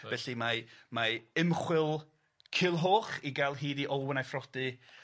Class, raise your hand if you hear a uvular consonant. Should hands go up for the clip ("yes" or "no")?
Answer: yes